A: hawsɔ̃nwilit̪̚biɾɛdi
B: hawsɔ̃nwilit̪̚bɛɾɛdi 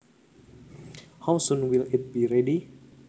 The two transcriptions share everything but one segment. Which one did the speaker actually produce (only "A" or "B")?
A